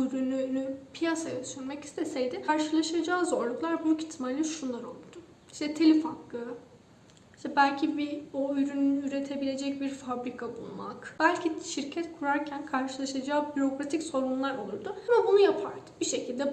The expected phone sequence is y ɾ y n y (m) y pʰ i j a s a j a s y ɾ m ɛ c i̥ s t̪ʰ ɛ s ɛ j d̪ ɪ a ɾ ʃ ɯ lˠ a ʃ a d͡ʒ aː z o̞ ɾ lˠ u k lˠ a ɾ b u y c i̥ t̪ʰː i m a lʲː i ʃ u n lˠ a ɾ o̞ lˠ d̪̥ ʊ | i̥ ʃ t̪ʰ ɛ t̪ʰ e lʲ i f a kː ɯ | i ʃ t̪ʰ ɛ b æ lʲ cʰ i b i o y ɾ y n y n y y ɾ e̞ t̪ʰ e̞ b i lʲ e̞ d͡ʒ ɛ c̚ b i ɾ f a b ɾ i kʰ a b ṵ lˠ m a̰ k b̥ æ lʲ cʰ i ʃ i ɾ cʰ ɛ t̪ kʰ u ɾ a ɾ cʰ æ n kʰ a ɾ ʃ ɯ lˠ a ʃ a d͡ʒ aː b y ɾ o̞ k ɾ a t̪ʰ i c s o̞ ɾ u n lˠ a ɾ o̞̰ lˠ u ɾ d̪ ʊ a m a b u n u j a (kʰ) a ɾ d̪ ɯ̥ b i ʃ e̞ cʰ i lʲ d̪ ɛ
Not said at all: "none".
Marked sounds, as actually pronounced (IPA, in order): n, pʰ

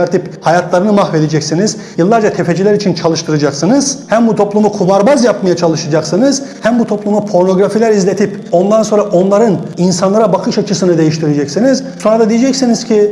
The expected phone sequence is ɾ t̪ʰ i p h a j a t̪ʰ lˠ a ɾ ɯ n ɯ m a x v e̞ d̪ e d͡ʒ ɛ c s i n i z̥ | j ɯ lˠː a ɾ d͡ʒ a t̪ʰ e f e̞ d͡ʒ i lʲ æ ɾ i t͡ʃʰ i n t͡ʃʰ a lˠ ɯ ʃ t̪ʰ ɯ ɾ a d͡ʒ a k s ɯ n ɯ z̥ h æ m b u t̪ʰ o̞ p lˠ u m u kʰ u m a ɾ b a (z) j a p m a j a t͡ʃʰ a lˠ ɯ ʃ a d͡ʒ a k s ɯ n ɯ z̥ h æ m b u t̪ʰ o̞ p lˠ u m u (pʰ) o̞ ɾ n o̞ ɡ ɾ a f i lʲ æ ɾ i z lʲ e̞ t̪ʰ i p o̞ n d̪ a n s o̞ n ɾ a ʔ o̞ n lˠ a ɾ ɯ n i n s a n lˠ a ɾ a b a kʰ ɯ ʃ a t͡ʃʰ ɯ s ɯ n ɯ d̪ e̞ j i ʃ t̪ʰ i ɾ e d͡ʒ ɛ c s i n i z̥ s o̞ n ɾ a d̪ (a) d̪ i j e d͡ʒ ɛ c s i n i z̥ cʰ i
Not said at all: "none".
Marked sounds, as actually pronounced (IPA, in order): z, pʰ, a

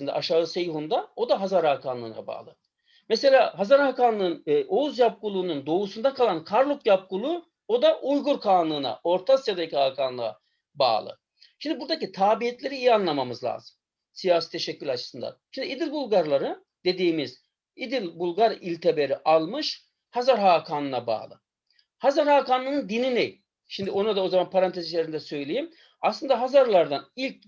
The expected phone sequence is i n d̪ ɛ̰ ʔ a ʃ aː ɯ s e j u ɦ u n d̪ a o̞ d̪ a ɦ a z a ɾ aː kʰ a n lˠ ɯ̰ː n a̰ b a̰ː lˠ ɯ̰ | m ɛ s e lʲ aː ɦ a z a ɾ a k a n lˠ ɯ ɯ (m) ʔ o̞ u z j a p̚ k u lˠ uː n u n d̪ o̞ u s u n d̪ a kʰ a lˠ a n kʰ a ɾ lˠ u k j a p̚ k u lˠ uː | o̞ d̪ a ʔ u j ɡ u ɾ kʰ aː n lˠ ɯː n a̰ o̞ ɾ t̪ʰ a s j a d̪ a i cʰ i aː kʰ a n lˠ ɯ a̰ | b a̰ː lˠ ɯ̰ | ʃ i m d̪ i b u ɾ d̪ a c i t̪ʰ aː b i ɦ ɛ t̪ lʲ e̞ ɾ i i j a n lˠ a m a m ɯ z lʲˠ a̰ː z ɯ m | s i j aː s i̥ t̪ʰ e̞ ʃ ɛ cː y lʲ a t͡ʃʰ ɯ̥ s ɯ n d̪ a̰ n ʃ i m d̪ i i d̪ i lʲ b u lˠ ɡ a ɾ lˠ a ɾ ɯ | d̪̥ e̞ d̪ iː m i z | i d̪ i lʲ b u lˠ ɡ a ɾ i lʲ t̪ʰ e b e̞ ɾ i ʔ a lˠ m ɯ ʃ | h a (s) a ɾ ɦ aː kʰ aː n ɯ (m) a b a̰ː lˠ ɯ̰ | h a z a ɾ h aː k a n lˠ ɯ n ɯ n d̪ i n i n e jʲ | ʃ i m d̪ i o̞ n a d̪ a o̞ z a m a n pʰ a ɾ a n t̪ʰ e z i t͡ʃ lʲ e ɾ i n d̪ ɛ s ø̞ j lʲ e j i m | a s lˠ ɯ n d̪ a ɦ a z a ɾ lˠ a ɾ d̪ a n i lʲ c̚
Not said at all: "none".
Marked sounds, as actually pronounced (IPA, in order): n, z, n

